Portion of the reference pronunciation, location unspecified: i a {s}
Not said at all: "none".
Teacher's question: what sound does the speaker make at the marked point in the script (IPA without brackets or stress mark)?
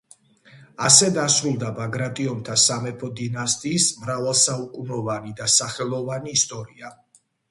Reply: none